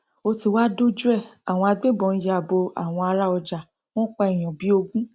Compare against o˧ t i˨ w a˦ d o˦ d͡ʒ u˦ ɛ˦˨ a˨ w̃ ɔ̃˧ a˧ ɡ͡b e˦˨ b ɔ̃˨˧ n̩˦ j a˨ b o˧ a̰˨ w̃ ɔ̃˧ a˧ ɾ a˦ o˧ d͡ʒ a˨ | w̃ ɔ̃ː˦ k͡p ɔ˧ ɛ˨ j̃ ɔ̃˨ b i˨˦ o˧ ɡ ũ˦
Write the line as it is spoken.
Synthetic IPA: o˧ t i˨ w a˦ d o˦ d͡ʒ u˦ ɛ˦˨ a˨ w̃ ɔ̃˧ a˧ ɡ͡b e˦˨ b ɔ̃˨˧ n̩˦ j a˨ b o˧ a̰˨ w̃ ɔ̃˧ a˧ ɾ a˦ ɔ˧ d͡ʒ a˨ | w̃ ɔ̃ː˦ k͡p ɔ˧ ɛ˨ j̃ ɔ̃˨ b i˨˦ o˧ ɡ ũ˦